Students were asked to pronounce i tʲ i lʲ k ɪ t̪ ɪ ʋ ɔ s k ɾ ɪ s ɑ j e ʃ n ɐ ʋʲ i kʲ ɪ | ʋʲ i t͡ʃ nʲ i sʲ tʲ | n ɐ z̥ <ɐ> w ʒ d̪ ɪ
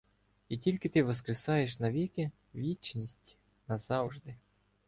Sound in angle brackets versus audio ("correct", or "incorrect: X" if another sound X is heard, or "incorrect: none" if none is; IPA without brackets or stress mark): incorrect: ɑ